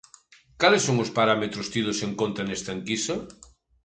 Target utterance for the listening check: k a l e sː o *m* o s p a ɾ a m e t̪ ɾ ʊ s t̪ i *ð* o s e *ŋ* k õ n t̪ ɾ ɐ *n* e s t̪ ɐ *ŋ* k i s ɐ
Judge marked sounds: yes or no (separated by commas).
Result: no, yes, yes, yes, yes